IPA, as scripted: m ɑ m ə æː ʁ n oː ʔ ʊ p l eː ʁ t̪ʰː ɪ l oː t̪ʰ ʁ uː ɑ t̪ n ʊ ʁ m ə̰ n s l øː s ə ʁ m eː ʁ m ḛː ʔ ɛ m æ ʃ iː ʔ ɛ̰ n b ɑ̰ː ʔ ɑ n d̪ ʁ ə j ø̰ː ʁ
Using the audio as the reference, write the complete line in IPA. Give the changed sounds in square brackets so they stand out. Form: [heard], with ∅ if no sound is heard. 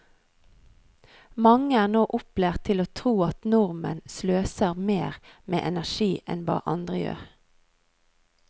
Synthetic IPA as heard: m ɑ [ŋ] ə æː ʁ n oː ʔ ʊ p l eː ʁ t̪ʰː ɪ l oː t̪ʰ ʁ uː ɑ t̪ n ʊ ʁ m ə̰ n s l øː s ə ʁ m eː ʁ m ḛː ʔ ɛ [n] æ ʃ iː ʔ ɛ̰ n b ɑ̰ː ʔ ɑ n d̪ ʁ ə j ø̰ː ʁ